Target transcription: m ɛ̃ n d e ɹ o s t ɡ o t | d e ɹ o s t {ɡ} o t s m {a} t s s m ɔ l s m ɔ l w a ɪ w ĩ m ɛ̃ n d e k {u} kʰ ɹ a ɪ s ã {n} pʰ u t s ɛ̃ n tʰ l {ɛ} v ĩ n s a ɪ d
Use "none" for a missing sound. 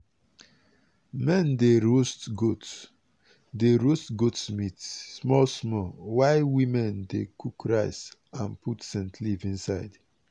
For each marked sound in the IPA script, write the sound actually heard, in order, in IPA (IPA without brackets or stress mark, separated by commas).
ɡ, i, u, n, i